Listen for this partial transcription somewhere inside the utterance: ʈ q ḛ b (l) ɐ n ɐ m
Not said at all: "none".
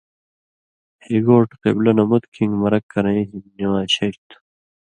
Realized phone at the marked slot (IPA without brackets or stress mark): l